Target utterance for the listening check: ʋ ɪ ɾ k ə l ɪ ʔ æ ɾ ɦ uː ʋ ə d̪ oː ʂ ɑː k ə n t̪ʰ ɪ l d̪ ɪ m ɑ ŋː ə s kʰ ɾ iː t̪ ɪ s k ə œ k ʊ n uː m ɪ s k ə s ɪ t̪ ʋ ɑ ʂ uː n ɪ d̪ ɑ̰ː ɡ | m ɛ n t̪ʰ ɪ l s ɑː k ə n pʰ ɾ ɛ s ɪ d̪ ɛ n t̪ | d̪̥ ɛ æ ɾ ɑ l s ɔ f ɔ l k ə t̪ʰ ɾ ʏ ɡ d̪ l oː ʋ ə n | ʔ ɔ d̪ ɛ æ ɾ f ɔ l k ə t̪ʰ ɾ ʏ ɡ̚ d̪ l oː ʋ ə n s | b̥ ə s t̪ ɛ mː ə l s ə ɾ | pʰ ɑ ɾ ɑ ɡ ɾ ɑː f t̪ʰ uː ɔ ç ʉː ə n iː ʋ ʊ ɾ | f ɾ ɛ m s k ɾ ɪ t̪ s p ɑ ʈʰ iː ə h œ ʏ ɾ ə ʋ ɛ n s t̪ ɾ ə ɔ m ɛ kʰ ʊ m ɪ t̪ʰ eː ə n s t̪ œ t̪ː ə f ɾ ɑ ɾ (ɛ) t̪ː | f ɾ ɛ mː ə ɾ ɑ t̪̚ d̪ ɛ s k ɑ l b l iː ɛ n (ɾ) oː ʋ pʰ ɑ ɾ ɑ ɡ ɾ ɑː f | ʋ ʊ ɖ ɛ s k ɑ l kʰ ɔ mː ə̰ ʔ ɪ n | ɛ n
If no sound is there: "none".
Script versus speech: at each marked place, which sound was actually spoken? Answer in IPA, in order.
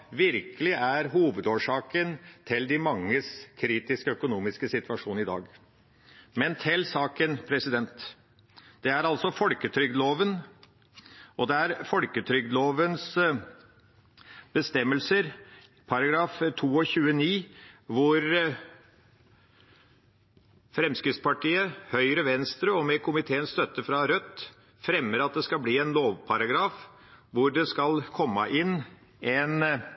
œ, l

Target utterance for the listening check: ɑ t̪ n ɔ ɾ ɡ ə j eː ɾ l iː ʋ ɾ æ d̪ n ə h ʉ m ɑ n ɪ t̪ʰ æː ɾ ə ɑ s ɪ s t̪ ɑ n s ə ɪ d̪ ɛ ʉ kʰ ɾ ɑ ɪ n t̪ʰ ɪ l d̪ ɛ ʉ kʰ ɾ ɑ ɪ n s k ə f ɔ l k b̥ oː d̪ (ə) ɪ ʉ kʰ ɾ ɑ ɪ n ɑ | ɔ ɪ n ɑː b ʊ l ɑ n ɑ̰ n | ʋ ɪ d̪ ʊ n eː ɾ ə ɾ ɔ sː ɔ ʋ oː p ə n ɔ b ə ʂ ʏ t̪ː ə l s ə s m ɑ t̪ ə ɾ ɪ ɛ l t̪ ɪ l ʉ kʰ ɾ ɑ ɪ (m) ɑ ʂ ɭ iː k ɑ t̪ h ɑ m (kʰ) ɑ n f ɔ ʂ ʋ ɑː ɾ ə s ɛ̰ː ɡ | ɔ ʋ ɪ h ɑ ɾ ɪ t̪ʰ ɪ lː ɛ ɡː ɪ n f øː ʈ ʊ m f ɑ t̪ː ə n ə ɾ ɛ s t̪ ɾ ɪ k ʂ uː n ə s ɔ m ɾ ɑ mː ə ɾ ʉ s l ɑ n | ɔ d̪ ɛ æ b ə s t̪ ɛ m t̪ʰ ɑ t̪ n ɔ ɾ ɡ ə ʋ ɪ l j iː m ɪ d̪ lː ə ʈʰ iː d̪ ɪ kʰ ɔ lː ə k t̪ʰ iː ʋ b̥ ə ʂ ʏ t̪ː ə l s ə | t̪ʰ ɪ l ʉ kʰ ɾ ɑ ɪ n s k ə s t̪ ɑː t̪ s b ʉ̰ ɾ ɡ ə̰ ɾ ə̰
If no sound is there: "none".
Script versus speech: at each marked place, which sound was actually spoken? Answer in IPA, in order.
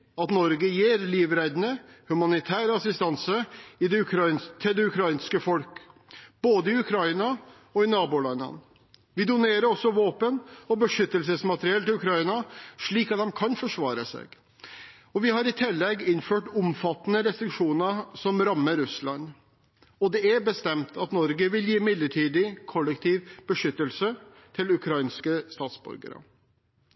ə, n, kʰ

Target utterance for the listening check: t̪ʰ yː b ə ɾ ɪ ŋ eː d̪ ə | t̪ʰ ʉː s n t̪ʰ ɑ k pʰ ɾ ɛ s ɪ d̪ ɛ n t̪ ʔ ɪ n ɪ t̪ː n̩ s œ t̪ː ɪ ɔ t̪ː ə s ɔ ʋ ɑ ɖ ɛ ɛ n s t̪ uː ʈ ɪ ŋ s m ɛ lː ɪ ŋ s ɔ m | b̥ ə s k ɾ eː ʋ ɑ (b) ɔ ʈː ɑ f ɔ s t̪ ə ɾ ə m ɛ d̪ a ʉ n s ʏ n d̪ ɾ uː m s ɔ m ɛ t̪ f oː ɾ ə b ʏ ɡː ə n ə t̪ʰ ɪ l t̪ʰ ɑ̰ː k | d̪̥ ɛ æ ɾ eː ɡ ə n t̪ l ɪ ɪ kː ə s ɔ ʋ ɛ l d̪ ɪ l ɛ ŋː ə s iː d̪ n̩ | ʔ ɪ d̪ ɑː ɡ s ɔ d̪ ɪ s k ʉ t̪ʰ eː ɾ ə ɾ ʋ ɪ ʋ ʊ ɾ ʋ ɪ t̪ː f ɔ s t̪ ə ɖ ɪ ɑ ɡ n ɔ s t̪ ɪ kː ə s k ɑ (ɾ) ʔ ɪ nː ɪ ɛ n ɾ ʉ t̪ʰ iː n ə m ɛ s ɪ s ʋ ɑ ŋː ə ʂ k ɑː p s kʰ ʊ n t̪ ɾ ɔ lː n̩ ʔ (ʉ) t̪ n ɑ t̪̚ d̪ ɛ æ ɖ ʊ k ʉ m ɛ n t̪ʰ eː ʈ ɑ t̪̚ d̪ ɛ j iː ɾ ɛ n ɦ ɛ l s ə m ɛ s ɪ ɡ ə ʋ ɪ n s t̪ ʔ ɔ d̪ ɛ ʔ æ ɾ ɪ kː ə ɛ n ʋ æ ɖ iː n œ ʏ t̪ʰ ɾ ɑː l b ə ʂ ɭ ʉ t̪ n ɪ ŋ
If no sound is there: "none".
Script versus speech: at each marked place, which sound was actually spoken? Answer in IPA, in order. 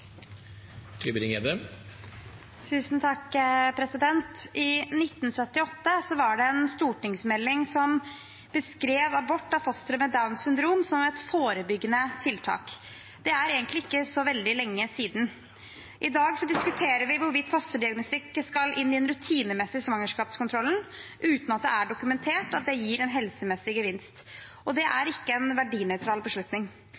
b, l, ʉː

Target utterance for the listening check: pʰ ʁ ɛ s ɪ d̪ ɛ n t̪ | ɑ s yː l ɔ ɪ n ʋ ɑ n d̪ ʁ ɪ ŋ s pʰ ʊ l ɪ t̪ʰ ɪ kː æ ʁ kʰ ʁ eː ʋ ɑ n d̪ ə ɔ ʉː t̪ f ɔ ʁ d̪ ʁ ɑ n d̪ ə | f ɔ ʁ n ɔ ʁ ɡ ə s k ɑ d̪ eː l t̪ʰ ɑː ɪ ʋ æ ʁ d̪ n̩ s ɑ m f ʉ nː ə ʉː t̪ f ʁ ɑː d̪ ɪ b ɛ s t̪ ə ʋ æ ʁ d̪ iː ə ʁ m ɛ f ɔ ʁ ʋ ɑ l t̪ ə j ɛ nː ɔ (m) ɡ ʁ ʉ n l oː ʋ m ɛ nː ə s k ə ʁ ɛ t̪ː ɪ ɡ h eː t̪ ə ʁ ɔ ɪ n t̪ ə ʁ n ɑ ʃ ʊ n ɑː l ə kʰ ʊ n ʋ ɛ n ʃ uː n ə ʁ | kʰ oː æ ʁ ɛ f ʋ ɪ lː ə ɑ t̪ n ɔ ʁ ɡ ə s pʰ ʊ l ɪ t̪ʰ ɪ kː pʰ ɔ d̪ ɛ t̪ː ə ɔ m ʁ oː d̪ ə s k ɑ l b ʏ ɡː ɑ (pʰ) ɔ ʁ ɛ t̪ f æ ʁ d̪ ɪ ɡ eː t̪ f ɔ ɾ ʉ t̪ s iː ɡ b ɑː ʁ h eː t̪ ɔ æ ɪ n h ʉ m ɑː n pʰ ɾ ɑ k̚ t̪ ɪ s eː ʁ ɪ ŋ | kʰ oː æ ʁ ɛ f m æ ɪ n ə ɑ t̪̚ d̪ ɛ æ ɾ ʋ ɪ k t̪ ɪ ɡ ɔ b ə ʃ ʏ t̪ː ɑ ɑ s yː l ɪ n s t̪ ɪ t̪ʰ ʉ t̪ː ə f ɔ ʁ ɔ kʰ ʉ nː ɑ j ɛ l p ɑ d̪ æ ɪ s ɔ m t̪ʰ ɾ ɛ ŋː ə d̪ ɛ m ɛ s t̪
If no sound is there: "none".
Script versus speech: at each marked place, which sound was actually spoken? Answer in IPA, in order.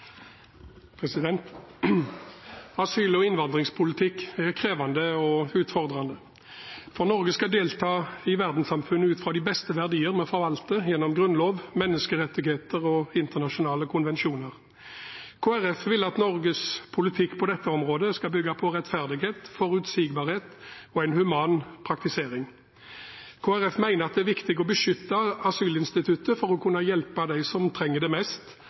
m, pʰ

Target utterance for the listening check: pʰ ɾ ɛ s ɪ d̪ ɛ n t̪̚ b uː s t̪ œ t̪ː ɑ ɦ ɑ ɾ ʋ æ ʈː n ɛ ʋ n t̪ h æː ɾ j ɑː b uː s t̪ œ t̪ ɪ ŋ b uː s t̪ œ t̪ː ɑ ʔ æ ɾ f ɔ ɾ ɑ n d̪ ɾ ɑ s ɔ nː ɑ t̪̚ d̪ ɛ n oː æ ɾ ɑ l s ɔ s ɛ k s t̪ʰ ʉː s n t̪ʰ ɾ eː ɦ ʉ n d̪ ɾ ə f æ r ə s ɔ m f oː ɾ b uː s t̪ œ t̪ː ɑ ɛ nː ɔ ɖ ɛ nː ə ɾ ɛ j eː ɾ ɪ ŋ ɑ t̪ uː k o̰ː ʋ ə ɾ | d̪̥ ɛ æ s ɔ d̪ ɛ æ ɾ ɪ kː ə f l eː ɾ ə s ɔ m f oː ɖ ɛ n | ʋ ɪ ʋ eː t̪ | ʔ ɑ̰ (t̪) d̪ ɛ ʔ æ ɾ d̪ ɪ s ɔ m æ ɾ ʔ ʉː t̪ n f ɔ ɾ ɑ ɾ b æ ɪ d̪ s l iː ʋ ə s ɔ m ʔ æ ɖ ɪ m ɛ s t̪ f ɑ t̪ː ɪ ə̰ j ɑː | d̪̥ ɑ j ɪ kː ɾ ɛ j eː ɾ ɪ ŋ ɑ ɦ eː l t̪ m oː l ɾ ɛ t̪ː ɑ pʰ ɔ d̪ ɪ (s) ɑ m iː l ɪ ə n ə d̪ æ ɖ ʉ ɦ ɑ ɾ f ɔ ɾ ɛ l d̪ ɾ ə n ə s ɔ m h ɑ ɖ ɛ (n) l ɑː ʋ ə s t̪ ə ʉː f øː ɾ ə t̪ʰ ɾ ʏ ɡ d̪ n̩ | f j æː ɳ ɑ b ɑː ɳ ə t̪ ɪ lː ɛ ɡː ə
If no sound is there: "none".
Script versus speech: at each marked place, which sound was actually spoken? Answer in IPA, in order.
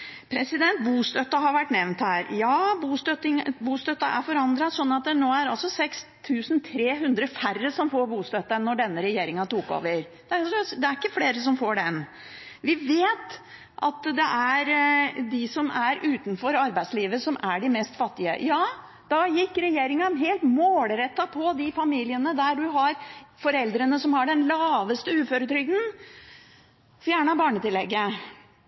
t̪, f, n

